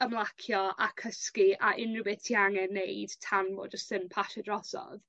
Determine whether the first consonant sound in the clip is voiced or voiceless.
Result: voiced